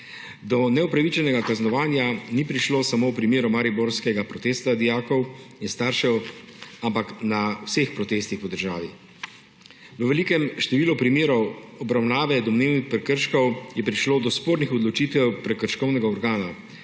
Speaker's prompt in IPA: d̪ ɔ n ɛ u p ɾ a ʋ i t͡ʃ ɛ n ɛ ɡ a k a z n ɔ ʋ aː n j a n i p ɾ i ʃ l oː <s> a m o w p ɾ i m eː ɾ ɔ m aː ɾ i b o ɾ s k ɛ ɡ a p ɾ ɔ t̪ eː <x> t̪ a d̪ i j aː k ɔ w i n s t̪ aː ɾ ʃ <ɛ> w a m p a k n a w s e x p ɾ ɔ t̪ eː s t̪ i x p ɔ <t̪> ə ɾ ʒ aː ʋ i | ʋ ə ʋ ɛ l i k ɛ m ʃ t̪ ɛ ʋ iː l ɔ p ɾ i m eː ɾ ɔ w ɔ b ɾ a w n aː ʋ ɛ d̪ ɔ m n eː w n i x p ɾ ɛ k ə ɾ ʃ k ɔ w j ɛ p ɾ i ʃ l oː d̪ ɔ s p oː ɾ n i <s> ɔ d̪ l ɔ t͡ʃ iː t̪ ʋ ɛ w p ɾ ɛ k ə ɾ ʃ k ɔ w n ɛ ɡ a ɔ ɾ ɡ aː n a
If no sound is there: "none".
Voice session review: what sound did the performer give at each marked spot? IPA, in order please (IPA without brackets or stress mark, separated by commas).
s, s, ɛ, d̪, x